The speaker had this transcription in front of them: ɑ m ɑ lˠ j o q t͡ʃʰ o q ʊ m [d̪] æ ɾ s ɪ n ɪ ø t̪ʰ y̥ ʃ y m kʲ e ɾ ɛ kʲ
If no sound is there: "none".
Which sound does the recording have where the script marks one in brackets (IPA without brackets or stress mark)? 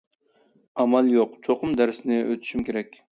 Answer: d̪